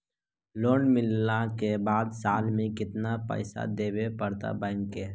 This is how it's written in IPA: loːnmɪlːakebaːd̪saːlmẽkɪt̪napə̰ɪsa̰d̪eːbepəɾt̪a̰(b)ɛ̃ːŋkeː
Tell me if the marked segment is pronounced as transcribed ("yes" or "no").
yes